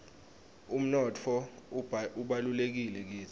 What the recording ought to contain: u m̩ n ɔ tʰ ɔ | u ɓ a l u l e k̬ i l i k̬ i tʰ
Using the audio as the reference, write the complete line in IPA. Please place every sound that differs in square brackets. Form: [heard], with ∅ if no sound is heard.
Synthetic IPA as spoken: u m̩ n ɔ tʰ ɔ | u ɓ a l u l e k̬ i l [ɛ] k̬ [iː] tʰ

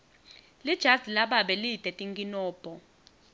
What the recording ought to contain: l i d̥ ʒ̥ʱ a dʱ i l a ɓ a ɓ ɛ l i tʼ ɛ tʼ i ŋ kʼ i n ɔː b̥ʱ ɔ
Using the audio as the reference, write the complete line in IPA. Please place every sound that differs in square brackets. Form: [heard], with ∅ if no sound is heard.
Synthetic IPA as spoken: l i d̥ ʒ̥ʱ a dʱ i l a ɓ a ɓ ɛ l i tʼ ɛ tʼ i ŋ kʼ i n ɔː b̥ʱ ɔ

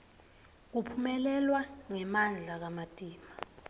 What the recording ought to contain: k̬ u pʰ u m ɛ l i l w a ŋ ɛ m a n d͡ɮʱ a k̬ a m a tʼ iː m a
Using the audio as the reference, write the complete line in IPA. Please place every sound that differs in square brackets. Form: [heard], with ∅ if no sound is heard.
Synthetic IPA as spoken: k̬ u pʰ u m ɛ l [ɛ] l w a ŋ ɛ m a n d͡ɮʱ a k̬ a m a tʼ iː m a

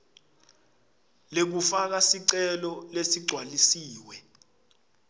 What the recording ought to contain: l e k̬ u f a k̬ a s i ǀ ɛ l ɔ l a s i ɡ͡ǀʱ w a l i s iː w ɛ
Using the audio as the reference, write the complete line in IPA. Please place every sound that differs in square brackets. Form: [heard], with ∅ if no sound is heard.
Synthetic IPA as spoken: l e k̬ u f a k̬ a s i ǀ ɛ l ɔ l [e] s i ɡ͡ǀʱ w a l i s iː w ɛ

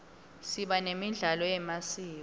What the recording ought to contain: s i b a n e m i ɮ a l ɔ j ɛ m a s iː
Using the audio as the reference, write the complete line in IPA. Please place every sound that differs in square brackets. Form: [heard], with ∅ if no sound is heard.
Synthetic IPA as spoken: s i [ɓ] a n e m i ɮ a l ɔ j ɛ m a s iː

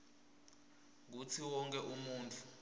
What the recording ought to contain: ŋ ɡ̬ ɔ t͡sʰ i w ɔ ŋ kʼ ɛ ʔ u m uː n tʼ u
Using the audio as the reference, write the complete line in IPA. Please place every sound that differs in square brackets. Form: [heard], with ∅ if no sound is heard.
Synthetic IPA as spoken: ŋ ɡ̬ [u] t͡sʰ i w ɔ ŋ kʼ ɛ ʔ u m uː n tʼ u

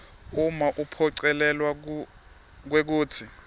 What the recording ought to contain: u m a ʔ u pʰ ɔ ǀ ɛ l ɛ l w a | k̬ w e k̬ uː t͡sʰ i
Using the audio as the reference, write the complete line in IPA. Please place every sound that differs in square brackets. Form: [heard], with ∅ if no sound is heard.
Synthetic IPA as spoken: u m a ʔ u pʰ ɔ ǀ ɛ l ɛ l w a | k̬ w e k̬ uː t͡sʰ i

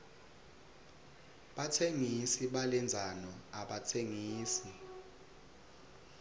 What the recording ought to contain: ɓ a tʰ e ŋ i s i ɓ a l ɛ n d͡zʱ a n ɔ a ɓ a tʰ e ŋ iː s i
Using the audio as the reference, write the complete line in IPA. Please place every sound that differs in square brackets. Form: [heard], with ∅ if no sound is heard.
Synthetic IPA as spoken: ɓ a tʰ e ŋ i s i ɓ a l ɛ n d͡zʱ a n ɔ a ɓ a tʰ e ŋ iː s i

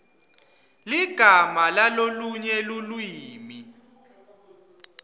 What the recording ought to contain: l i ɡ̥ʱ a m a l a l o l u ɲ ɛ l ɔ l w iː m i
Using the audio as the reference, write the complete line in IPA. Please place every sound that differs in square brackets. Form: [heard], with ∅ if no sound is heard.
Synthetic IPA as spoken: l i ɡ̥ʱ a m a l a l o l u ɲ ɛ l [u] l w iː m i

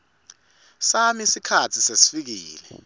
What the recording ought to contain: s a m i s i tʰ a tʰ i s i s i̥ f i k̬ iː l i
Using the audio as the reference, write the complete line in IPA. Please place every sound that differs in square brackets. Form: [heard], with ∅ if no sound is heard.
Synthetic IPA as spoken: s a m i s i [kʰ] a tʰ i s [e] s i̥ f i k̬ iː l [ɛ]

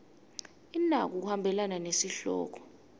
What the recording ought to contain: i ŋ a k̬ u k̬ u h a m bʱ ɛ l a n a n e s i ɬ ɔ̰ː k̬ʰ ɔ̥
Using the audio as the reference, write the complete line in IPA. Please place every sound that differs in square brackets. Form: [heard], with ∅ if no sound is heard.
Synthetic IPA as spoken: i [n] a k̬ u k̬ u h a m bʱ ɛ l a n a n e s i ɬ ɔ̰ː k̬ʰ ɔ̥

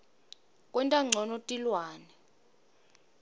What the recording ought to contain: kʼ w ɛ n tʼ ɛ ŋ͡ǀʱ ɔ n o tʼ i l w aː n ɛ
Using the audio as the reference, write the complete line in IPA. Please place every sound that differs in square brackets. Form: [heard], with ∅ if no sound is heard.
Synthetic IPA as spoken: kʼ w ɛ n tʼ [a] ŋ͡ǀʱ ɔ n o tʼ i l w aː n ɛ

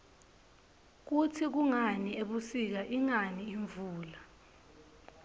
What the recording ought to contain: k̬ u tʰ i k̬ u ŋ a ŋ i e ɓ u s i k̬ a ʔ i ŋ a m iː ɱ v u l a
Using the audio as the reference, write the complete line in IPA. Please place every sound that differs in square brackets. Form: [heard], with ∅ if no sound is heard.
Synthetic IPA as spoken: k̬ u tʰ i k̬ u ŋ a [n] i e ɓ u s i k̬ a ʔ i ŋ a [n] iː ɱ v [uː] l a

